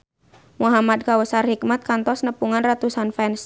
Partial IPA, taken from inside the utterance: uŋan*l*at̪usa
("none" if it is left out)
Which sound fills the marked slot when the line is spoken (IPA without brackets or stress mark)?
r